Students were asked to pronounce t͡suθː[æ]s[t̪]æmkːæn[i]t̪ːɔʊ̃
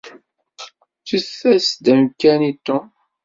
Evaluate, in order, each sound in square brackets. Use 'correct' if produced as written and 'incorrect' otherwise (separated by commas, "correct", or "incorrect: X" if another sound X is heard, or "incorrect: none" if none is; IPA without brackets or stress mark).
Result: correct, incorrect: d̪, correct